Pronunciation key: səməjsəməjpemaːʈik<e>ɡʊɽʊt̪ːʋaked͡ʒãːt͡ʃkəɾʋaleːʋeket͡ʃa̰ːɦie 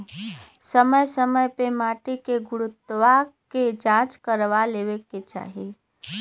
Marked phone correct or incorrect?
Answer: correct